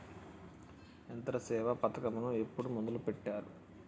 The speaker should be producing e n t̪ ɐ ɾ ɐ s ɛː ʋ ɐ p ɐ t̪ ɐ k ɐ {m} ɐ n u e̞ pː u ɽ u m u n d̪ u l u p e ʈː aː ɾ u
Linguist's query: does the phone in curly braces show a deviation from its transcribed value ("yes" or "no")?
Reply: no